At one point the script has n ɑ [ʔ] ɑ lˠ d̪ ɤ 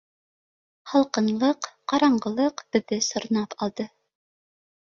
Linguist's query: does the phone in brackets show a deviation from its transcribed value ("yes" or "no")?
yes